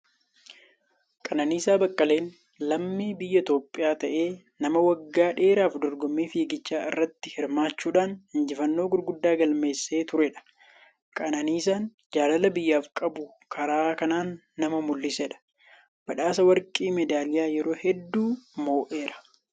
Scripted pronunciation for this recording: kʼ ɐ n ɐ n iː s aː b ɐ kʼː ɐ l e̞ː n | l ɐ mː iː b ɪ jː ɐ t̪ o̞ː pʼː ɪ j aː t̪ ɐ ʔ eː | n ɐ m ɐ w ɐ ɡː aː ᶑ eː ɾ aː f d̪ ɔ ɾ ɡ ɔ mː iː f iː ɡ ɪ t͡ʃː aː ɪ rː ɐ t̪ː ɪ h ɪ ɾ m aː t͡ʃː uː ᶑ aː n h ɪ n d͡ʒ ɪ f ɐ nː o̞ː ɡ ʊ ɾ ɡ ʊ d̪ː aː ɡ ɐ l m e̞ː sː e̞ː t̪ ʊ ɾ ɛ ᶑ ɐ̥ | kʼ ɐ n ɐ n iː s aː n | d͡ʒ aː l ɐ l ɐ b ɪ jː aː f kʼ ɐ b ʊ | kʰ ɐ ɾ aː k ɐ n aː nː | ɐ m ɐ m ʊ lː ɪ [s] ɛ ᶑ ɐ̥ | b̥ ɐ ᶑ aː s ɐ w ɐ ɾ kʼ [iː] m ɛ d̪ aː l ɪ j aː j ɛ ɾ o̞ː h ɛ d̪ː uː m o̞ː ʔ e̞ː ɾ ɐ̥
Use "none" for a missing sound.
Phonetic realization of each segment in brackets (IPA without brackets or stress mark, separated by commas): s, iː